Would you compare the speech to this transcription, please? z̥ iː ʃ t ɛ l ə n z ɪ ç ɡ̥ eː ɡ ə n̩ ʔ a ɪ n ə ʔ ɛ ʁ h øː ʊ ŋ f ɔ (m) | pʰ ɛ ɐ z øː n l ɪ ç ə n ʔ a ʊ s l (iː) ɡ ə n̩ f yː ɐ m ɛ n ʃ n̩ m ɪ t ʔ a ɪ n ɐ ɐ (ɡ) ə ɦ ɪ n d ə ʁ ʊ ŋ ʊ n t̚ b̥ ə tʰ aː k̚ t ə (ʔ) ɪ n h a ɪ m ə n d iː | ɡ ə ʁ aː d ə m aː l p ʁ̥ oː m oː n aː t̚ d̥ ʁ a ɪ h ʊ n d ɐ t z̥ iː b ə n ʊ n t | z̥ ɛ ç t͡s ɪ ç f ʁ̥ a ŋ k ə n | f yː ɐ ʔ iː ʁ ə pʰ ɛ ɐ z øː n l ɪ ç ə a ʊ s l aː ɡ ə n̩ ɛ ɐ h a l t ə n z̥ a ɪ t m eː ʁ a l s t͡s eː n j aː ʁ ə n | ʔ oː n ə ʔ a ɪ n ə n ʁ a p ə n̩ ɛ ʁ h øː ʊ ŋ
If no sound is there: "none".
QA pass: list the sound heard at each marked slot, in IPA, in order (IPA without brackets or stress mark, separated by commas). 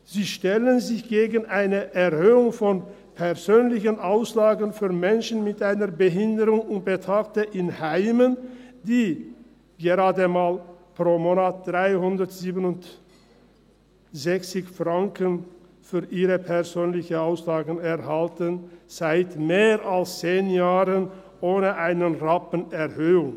n, aː, b, ʔ